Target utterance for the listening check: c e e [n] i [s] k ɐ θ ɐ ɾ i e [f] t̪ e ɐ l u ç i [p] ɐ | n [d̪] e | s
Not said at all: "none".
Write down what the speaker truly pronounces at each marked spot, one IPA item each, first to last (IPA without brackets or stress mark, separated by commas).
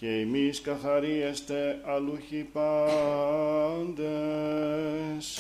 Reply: m, s, s, p, d̪